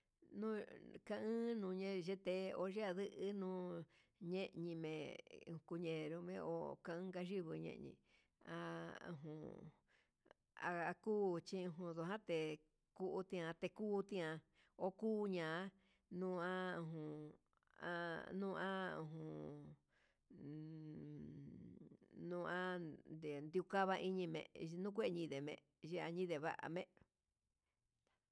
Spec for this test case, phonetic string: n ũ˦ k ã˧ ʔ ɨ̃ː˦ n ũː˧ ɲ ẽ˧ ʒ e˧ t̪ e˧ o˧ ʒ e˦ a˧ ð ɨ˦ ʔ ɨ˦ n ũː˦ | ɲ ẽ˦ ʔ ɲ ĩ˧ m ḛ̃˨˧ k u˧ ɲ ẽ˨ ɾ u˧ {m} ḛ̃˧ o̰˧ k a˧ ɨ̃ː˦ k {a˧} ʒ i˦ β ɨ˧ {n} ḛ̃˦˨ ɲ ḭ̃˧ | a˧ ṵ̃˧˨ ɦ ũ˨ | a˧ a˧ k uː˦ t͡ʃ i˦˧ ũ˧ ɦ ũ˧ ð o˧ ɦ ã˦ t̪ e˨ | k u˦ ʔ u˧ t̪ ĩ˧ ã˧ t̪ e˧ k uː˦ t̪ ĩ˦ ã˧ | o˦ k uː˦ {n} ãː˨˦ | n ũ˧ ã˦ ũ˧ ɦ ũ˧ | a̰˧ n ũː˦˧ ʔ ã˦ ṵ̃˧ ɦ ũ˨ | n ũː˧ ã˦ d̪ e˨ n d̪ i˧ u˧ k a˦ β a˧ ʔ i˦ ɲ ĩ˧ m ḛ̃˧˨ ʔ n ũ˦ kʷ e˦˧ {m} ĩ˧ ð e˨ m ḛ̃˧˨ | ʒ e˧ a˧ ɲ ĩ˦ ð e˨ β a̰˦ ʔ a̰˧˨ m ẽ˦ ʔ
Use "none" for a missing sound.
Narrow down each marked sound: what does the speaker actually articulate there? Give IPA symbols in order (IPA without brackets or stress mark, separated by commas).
m, a˧, ɲ, ɲ, ɲ